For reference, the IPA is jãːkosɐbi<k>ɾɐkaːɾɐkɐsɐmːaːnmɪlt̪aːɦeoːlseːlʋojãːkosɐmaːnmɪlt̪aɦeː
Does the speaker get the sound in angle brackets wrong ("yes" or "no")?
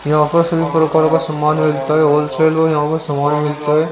yes